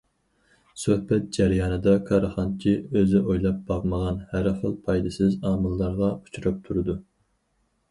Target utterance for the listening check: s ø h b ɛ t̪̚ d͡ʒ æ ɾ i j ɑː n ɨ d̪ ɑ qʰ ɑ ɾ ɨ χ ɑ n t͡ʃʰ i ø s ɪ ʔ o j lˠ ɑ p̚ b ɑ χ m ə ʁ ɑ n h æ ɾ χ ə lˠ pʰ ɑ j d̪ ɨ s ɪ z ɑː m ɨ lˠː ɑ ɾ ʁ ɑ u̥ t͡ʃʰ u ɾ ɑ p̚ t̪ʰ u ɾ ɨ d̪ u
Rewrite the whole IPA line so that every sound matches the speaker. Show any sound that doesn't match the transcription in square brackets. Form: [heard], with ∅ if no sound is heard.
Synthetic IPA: s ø h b ɛ t̪̚ d͡ʒ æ ɾ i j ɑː n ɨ d̪ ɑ [kʰ] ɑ ɾ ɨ χ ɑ n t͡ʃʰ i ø [z] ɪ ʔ o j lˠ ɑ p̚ b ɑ [ʁ] m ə ʁ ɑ n h æ ɾ χ ə lˠ pʰ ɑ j d̪ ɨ s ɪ z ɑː m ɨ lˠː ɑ ɾ ʁ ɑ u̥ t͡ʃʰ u ɾ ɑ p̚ t̪ʰ u ɾ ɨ d̪ u